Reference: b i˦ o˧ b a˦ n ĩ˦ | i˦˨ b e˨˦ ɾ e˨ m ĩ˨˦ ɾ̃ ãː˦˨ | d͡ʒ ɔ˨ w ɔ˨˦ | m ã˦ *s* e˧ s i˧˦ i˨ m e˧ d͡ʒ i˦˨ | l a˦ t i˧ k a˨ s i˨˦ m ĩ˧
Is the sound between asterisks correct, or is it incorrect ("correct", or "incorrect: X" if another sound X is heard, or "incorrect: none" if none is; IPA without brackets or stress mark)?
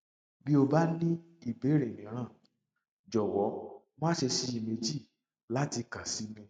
incorrect: ʃ